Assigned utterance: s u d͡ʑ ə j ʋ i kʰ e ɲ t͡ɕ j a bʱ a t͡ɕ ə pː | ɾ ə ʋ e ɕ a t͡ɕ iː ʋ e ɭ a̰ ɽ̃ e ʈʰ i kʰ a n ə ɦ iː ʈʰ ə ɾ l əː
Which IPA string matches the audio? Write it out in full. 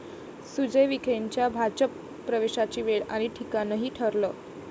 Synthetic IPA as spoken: s u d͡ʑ ə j ʋ i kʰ e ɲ t͡ɕ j a bʱ a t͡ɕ ə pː | ɾ ə ʋ e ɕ a t͡ɕ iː ʋ e ɭ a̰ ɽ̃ i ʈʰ i k a n ə ɦ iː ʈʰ ə ɾ l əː